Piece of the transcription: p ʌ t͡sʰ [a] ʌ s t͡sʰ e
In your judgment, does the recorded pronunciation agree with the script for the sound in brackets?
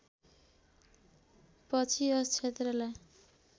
no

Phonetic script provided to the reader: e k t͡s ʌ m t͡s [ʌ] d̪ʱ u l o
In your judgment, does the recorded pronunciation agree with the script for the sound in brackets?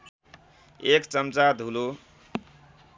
no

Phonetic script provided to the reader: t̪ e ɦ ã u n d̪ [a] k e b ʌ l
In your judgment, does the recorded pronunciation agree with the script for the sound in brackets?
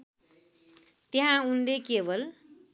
no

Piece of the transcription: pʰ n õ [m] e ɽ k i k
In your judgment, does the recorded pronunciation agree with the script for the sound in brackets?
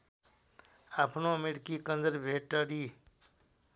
yes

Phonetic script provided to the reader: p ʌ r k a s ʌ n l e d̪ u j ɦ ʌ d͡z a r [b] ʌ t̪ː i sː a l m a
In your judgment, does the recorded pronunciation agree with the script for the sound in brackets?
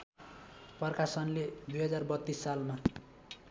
yes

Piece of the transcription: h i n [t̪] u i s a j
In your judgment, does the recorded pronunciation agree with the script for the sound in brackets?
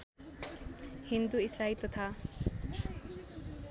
no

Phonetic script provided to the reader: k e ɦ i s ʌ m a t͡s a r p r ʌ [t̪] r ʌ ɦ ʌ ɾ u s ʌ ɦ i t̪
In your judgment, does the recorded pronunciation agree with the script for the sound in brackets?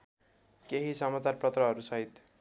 yes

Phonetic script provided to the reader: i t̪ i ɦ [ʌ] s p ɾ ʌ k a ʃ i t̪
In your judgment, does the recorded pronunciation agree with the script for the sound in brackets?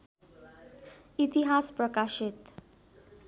no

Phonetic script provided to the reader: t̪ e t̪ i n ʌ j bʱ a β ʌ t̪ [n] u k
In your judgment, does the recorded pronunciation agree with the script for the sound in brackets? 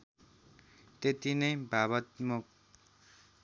no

